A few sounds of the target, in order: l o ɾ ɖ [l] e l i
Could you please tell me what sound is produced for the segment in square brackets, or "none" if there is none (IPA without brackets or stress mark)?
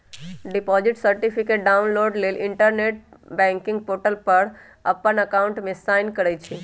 l